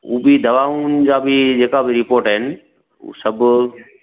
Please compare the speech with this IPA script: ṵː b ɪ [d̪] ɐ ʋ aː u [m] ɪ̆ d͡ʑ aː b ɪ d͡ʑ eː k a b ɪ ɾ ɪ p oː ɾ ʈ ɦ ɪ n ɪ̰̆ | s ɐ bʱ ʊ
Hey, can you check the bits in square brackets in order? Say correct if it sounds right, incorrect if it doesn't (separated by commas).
correct, incorrect